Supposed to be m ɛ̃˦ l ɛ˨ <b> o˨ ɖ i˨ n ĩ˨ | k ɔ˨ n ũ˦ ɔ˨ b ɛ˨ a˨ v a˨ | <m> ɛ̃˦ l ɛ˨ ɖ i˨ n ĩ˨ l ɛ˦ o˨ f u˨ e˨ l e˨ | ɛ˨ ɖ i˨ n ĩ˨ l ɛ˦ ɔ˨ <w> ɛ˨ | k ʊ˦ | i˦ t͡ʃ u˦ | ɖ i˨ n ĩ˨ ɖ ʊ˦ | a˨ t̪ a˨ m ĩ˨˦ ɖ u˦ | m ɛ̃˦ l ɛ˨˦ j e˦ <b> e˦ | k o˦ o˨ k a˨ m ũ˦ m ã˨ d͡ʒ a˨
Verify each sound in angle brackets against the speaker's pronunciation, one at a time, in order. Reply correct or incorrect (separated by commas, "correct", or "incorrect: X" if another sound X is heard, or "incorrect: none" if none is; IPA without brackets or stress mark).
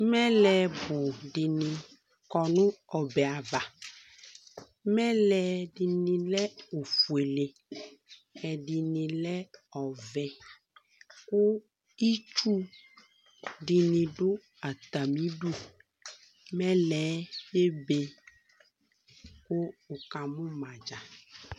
correct, correct, incorrect: v, correct